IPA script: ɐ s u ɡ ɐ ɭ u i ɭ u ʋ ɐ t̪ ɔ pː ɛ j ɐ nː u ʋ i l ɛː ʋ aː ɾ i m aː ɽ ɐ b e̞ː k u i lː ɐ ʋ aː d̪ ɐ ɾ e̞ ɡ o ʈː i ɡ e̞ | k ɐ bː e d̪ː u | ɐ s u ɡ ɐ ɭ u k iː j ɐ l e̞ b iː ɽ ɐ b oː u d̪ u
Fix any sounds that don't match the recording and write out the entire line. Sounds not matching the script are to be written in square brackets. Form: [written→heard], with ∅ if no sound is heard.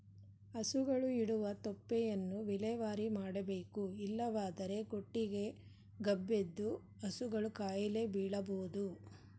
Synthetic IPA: ɐ s u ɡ ɐ ɭ u i [ɭ→ɽ] u ʋ ɐ t̪ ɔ pː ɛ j ɐ nː u ʋ i l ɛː ʋ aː ɾ i m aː ɽ ɐ b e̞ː k u i lː ɐ ʋ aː d̪ ɐ ɾ e̞ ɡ o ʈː i ɡ e̞ | [k→ɡ] ɐ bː e d̪ː u | ɐ s u ɡ ɐ ɭ u k [iː→aː] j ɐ l e̞ b iː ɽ ɐ b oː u d̪ u

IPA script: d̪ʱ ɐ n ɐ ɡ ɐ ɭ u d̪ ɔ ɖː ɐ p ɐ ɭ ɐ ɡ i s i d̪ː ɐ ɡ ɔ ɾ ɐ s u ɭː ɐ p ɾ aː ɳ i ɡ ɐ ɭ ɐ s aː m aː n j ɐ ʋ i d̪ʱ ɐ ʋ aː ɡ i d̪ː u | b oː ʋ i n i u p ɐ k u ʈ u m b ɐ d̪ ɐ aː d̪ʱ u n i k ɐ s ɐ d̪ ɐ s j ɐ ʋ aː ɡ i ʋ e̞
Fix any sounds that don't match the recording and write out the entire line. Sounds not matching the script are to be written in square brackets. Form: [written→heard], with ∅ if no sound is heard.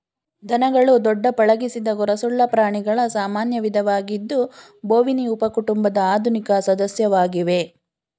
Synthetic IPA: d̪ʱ ɐ n ɐ ɡ ɐ ɭ u d̪ ɔ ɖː ɐ p ɐ ɭ ɐ ɡ i s i [d̪ː→d̪] ɐ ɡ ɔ ɾ ɐ s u ɭː ɐ p ɾ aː ɳ i ɡ ɐ ɭ ɐ s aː m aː n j ɐ ʋ i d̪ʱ ɐ ʋ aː ɡ i d̪ː u | b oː ʋ i n i u p ɐ k u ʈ u m b ɐ d̪ ɐ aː d̪ʱ u n i k ɐ s ɐ d̪ ɐ s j ɐ ʋ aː ɡ i ʋ e̞

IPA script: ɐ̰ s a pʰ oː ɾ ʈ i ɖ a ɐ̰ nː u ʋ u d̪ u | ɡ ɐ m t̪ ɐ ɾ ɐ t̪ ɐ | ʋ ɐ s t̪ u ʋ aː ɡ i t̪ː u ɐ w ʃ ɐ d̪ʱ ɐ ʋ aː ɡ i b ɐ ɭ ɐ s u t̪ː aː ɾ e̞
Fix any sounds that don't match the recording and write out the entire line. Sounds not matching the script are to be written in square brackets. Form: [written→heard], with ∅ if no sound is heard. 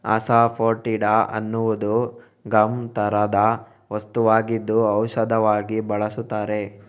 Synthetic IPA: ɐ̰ s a pʰ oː ɾ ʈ i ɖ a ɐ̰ nː u ʋ u d̪ u | ɡ ɐ m t̪ ɐ ɾ ɐ [t̪→d̪] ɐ | ʋ ɐ s t̪ u ʋ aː ɡ i [t̪ː→d̪ː] u ɐ w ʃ ɐ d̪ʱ ɐ ʋ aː ɡ i b ɐ ɭ ɐ s u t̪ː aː ɾ e̞

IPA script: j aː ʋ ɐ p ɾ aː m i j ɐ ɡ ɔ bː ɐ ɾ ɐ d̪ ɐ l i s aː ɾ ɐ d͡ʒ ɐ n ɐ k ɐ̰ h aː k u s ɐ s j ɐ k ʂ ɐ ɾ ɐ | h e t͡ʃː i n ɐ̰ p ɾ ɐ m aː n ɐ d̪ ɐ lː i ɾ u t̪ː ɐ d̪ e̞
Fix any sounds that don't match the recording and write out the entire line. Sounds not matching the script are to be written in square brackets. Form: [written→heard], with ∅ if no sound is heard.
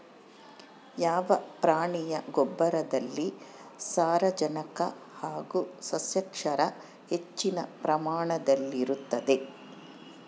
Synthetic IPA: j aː ʋ ɐ p ɾ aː [m→ɳ] i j ɐ ɡ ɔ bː ɐ ɾ ɐ d̪ ɐ [l→lː] i s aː ɾ ɐ d͡ʒ ɐ n ɐ k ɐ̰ h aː [k→ɡ] u s ɐ s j ɐ k ʂ ɐ ɾ ɐ | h e t͡ʃː i n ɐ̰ p ɾ ɐ m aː [n→ɳ] ɐ d̪ ɐ lː i ɾ u t̪ː ɐ d̪ e̞

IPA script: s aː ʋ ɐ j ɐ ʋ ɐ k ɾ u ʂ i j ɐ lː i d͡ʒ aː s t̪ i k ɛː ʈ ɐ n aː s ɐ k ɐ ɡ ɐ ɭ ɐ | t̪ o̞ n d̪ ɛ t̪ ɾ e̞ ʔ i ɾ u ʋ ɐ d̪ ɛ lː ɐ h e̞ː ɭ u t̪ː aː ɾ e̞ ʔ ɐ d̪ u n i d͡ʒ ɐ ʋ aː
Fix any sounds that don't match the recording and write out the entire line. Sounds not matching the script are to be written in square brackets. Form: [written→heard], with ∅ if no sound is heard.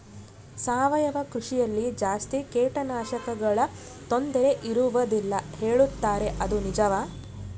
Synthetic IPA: s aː ʋ ɐ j ɐ ʋ ɐ k ɾ u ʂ i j ɐ lː i d͡ʒ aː s t̪ i k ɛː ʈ ɐ n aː [s→ʃ] ɐ k ɐ ɡ ɐ ɭ ɐ | t̪ o̞ n d̪ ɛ [t̪→∅] ɾ e̞ ʔ i ɾ u ʋ ɐ d̪ [ɛ→i] lː ɐ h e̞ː ɭ u t̪ː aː ɾ e̞ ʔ ɐ d̪ u n i d͡ʒ ɐ ʋ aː

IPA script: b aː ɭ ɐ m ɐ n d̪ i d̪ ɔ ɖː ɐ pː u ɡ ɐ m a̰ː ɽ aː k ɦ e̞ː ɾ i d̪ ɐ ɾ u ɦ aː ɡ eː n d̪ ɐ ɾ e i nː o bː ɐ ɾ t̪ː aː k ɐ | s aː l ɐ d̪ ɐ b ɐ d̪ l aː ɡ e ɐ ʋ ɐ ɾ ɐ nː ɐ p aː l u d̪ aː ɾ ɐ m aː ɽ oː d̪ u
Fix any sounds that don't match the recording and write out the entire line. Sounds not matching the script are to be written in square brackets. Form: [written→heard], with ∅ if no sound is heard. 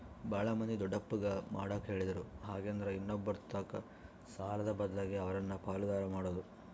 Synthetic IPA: b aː ɭ ɐ m ɐ n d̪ i d̪ ɔ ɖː ɐ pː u ɡ ɐ m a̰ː ɽ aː k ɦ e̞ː [ɾ→ɭ] i d̪ ɐ ɾ u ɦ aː ɡ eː n d̪ ɐ ɾ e i nː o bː ɐ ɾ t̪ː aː k ɐ | s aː l ɐ d̪ ɐ b ɐ d̪ l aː ɡ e ɐ ʋ ɐ ɾ ɐ nː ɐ p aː l u d̪ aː ɾ ɐ m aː ɽ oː d̪ u

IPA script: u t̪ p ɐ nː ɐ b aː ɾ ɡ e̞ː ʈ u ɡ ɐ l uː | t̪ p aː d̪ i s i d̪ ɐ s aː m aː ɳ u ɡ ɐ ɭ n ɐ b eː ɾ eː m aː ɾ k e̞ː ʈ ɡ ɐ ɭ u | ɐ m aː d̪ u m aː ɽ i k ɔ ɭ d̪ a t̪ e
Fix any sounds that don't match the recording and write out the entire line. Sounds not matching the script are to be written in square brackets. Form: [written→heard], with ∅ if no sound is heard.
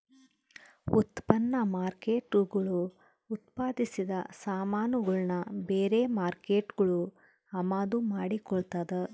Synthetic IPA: u t̪ p ɐ nː ɐ [b→m] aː ɾ [ɡ→k] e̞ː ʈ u ɡ ɐ [l→ɭ] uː | t̪ p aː d̪ i s i d̪ ɐ s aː m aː [ɳ→n] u ɡ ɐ ɭ n ɐ b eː ɾ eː m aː ɾ k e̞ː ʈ ɡ ɐ ɭ u | ɐ m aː d̪ u m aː ɽ i k ɔ ɭ [d̪→t̪] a [t̪→d̪] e

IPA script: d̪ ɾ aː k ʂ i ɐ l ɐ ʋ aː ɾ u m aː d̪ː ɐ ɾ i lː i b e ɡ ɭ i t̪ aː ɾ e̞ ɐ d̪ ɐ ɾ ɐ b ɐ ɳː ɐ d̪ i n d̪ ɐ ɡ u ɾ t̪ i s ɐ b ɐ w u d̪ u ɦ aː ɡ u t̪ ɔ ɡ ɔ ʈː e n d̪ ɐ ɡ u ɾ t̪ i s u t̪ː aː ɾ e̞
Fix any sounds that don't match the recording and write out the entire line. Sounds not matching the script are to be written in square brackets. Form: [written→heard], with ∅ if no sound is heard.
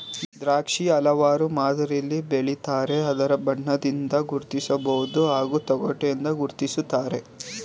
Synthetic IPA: d̪ ɾ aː k ʂ i ɐ l ɐ ʋ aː ɾ u m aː [d̪ː→d̪] ɐ ɾ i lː i b e [ɡ→∅] ɭ i t̪ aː ɾ e̞ ɐ d̪ ɐ ɾ ɐ b ɐ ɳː ɐ d̪ i n d̪ ɐ ɡ u ɾ t̪ i s ɐ b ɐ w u d̪ u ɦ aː ɡ u t̪ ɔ ɡ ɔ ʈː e n d̪ ɐ ɡ u ɾ t̪ i s u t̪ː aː ɾ e̞

